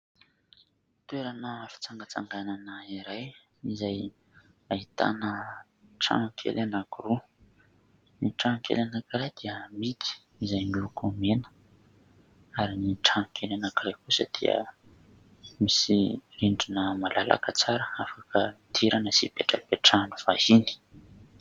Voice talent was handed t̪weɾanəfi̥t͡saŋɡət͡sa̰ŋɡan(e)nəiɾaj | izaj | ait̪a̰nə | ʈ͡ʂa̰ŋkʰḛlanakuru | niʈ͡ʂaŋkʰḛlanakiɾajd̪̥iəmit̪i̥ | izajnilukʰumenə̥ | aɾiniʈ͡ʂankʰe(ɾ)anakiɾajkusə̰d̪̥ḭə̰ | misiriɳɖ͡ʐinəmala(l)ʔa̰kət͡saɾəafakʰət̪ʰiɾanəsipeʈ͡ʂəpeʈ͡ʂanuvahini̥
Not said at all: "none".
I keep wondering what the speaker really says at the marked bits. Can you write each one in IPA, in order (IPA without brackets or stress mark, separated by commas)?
a, l, l